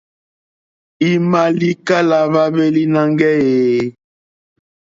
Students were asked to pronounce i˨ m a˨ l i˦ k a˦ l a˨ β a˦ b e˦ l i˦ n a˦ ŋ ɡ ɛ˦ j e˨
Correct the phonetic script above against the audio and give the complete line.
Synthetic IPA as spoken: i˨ m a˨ l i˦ k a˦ l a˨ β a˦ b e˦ l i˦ n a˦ ŋ ɡ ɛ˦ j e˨